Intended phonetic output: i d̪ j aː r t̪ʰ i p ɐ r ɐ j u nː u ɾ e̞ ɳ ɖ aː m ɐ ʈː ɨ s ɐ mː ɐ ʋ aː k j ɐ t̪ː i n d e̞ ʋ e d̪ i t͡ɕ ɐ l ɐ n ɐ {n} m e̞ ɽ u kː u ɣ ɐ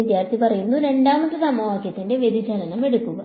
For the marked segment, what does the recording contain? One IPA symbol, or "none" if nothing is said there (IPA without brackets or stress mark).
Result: none